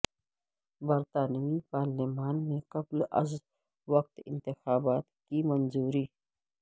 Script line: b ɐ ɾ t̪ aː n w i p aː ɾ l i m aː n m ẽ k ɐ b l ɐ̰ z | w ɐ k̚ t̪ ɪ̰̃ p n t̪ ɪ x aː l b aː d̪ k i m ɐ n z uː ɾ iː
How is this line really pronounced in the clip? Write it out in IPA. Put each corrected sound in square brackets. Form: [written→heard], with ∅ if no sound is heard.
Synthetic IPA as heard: b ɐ ɾ t̪ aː n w i p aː ɾ l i m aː n m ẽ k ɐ b l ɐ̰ z | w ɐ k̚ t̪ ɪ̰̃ [p→∅] n t̪ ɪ x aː [l→∅] b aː [d̪→t̪] k i m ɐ n z uː ɾ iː